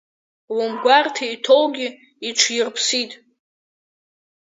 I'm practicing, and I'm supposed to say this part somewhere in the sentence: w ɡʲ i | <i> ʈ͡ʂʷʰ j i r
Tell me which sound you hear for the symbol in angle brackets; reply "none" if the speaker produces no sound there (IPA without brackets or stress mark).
i